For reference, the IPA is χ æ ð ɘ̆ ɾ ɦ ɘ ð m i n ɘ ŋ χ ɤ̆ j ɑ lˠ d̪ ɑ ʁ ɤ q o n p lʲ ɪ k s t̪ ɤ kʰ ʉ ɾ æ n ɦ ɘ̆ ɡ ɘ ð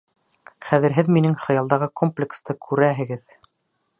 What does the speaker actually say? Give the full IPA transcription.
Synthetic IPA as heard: χ æ ð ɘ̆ ɾ ɦ ɘ ð m i n ɘ ŋ χ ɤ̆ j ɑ lˠ d̪ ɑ ʁ ɤ k o m p lʲ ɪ k s t̪ ɤ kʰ ʉ ɾ æ ɦ ɘ̆ ɡ ɘ ð